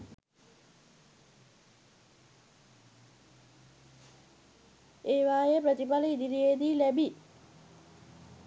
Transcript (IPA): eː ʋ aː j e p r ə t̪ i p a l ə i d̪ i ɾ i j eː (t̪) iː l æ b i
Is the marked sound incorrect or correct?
incorrect